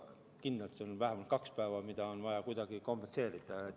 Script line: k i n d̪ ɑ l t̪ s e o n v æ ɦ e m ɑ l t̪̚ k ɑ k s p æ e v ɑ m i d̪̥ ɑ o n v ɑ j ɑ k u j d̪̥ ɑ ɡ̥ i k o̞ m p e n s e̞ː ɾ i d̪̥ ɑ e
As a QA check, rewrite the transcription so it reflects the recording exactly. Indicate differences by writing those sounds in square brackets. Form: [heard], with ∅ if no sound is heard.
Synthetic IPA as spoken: k i n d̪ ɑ l t̪ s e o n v æ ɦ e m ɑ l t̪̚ k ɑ k s p æ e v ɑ m i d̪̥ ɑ o n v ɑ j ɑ k u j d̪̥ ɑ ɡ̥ i k o̞ m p e n s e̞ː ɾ i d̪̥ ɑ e